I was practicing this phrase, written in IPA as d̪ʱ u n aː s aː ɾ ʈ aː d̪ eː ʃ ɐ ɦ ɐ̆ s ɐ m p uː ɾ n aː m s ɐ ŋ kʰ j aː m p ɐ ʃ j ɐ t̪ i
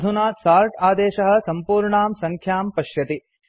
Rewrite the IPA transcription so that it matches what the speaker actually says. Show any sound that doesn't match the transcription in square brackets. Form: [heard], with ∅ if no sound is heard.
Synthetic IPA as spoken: d̪ʱ u n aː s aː ɾ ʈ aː d̪ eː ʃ ɐ ɦ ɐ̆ s ɐ m p uː ɾ [ɳ] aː m s ɐ ŋ kʰ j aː m p ɐ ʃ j ɐ t̪ i

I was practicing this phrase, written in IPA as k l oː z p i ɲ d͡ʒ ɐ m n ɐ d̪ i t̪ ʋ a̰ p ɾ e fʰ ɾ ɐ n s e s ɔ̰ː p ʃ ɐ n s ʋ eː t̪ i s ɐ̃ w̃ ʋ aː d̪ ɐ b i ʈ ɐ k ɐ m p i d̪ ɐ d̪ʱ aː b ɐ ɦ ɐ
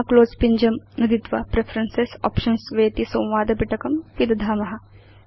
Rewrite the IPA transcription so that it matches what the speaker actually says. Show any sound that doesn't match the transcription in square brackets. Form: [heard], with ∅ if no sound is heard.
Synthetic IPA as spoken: k l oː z p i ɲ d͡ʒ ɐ m n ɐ d̪ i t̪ ʋ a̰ p ɾ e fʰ ɾ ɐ n s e s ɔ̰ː p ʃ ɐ n s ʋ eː t̪ i s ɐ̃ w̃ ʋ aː d̪ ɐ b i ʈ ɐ k ɐ m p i d̪ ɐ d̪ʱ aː [m] ɐ ɦ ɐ

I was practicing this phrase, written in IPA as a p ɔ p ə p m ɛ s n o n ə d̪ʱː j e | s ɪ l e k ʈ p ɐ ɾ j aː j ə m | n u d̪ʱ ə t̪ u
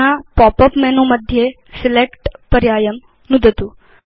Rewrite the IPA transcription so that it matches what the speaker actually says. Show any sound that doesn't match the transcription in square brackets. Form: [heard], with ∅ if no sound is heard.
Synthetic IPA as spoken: a p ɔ p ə p m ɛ [∅] n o [m] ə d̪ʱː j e | s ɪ l e k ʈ p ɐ ɾ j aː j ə m | n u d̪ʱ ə t̪ u

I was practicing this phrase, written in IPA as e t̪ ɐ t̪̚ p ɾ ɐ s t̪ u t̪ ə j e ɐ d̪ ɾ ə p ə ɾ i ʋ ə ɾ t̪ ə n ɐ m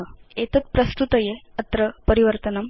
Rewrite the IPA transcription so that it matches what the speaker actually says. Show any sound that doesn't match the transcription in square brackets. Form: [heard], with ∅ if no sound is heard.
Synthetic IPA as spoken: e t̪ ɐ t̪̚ p ɾ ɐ s t̪ u t̪ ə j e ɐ [t̪] ɾ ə p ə ɾ i ʋ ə ɾ t̪ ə n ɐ m

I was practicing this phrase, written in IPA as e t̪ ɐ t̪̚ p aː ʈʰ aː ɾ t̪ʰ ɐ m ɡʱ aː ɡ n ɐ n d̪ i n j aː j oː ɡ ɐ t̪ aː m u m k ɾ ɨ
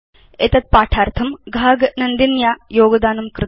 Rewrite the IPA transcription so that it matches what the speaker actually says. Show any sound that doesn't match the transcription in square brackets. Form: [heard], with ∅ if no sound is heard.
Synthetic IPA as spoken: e t̪ ɐ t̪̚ p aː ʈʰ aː ɾ t̪ʰ ɐ m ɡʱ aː ɡ n ɐ n d̪ i n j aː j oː ɡ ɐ [d̪] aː [n] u m k ɾ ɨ

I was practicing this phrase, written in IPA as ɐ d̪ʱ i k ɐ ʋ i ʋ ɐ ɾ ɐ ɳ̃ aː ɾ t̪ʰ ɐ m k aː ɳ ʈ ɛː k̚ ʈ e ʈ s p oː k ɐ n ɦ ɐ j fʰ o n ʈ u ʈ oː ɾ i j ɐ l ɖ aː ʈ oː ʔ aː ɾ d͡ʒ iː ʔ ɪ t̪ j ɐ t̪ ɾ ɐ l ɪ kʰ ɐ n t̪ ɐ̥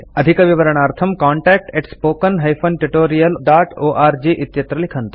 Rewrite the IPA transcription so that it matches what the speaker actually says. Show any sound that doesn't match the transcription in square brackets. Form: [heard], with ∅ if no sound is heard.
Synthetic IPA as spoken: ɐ d̪ʱ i k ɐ ʋ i ʋ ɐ ɾ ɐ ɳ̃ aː ɾ t̪ʰ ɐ m k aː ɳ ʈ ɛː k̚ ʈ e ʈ s p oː k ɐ n ɦ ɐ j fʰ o n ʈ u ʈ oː ɾ i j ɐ l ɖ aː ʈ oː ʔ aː ɾ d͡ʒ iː ʔ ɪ t̪ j ɐ t̪ ɾ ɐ l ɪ kʰ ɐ n t̪ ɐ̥

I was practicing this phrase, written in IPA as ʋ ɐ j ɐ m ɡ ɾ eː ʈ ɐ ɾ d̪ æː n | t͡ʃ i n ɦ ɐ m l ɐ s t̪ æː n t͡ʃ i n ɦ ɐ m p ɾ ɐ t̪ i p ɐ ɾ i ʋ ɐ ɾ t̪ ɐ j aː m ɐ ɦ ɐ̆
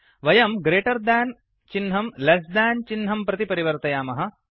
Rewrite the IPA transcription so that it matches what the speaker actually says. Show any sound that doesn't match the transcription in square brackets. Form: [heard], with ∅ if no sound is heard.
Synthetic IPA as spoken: ʋ ɐ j ɐ m ɡ ɾ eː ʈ ɐ ɾ d̪ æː n | t͡ʃ i n ɦ ɐ m l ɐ s [d̪] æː n t͡ʃ i n ɦ ɐ m p ɾ ɐ t̪ i p ɐ ɾ i ʋ ɐ ɾ t̪ ɐ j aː m ɐ ɦ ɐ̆

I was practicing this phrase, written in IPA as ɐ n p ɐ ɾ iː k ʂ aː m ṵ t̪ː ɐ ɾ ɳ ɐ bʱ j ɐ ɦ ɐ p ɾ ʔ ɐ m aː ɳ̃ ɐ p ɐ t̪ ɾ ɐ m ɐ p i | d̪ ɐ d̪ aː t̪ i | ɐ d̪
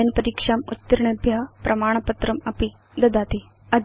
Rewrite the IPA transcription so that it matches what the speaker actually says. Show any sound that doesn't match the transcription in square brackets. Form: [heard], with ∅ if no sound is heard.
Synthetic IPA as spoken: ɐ n p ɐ ɾ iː k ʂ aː m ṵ t̪ː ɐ ɾ ɳ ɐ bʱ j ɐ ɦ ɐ p ɾ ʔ ɐ m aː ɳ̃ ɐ p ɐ t̪ ɾ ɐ m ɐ p i | d̪ ɐ d̪ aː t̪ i | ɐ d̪

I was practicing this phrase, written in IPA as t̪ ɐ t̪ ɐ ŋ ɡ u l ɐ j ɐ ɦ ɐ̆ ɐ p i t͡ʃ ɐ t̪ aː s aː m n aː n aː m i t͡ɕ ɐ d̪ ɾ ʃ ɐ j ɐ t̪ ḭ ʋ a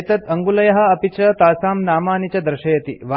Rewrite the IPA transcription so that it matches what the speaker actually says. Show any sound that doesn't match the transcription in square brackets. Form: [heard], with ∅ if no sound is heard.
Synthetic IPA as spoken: t̪ ɐ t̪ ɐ ŋ ɡ u l ɐ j ɐ ɦ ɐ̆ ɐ p i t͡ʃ ɐ t̪ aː s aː m n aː [m] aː [n] i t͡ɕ ɐ d̪ ɾ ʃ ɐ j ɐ t̪ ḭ ʋ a

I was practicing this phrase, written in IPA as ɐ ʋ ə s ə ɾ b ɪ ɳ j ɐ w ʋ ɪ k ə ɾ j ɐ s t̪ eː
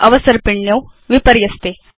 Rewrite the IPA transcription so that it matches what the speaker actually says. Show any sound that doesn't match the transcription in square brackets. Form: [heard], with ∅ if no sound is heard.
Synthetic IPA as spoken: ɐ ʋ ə s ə ɾ [p] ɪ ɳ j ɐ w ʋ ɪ [p] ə ɾ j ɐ s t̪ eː

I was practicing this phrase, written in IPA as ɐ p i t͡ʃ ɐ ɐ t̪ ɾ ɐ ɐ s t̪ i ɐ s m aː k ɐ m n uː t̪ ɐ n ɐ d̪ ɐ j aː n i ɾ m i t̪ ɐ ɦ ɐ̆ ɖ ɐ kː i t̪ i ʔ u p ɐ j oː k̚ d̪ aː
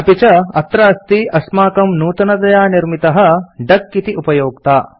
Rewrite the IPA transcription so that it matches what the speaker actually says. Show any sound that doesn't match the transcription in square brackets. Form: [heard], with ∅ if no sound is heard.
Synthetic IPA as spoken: ɐ p i t͡ʃ ɐ ɐ t̪ ɾ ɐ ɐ s t̪ i ɐ s m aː k ɐ m n uː t̪ ɐ n ɐ d̪ ɐ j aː n i ɾ m i t̪ ɐ ɦ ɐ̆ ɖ ɐ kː i t̪ i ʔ u p ɐ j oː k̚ [t̪] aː

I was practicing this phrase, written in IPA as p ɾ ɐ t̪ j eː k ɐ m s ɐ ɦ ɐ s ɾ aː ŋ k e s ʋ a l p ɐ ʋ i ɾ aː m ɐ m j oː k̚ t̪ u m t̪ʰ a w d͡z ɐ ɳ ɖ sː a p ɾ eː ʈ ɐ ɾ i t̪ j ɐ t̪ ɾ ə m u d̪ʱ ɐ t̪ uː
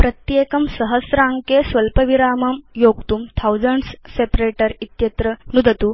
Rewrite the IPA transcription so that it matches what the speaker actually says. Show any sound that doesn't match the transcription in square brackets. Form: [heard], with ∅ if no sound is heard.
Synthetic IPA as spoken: p ɾ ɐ t̪ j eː k ɐ m s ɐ ɦ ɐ s ɾ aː ŋ k e s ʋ [ɐ] l p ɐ ʋ i ɾ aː m ɐ m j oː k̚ t̪ u m t̪ʰ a w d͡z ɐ ɳ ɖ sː [e] p ɾ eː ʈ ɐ ɾ i t̪ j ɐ t̪ ɾ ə [n] u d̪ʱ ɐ t̪ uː

